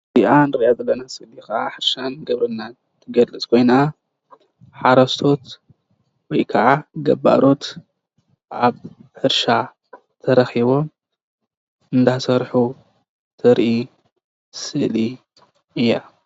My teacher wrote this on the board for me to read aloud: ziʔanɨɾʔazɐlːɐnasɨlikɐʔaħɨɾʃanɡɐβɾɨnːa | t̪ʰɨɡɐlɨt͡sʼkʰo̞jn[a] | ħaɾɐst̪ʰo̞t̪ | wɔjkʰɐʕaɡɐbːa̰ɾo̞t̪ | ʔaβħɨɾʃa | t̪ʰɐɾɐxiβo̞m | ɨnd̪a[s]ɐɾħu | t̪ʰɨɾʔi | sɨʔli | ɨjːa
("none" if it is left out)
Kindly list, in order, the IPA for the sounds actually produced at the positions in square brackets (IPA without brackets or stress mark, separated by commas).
a, s